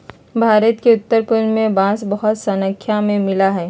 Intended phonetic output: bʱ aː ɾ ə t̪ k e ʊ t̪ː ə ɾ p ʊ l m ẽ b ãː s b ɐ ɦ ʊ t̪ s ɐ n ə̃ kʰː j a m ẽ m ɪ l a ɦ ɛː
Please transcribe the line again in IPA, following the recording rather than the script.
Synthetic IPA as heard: bʱ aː ɾ ə t̪ k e ʊ t̪ː ə ɾ p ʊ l m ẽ b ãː s b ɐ ɦ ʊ t̪ s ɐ n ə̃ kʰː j a m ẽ m ɪ l a ɦ ɛː